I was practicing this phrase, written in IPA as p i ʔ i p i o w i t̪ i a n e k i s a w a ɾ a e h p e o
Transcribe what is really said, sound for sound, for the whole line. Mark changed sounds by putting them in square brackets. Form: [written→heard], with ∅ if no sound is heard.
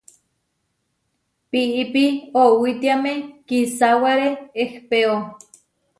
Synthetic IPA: p i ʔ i p i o w i t̪ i a [n→m] e k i s a w a ɾ [a→e] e h p e o